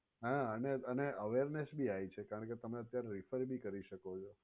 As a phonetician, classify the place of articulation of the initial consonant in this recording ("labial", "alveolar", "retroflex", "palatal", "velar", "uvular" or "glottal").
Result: glottal